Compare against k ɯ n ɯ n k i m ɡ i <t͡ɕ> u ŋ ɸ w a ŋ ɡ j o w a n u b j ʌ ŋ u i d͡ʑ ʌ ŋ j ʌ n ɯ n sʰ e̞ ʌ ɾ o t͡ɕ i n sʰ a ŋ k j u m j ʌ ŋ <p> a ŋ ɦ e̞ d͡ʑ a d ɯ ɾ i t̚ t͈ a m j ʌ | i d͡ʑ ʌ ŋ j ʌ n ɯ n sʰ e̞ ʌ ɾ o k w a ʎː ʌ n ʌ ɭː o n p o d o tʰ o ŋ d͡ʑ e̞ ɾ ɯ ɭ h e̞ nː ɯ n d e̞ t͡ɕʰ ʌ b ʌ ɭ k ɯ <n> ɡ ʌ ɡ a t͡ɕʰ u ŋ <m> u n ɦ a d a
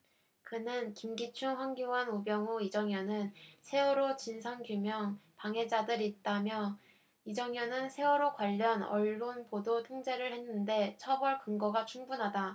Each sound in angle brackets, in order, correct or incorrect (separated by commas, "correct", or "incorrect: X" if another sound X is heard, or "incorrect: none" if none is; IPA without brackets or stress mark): incorrect: t͡ɕʰ, correct, incorrect: ŋ, incorrect: b